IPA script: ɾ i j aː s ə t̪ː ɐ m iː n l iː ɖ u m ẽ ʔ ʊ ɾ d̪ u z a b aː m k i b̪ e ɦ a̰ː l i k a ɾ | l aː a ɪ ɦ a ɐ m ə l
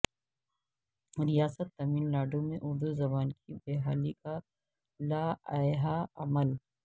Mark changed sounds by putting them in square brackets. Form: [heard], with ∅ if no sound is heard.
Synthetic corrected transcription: ɾ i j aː s ə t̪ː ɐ m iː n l [aː] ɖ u m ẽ ʔ ʊ ɾ d̪ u z [ɐ] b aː [n] k i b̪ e ɦ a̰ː l i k a [∅] | l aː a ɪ ɦ a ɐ m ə l